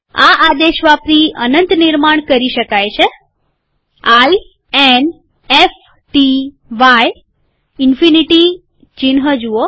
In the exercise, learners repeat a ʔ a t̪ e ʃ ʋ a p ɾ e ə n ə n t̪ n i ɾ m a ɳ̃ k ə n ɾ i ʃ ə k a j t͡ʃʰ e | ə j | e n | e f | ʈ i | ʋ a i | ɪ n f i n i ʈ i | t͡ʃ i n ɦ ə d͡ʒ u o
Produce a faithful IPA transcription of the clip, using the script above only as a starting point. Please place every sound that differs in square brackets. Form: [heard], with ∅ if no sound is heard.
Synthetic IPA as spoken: a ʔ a [d̪] e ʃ ʋ a p ɾ [i] ə n ə n t̪ n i ɾ m a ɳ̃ k ə [∅] ɾ i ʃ ə k a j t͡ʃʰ e | [a] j | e n | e f | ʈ i | ʋ a [j] | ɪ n f i n i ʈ i | t͡ʃ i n ɦ ə d͡ʒ u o